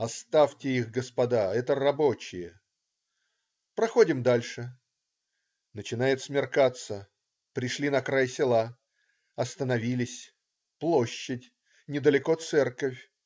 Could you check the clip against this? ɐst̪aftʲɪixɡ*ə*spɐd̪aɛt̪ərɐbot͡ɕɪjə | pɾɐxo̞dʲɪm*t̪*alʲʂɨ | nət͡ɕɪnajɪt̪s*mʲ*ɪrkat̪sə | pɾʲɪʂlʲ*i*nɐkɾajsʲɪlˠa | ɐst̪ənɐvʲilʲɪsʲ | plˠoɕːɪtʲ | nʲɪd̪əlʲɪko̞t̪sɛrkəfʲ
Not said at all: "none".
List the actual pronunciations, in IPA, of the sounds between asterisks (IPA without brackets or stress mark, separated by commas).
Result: ə, d̪, mʲ, i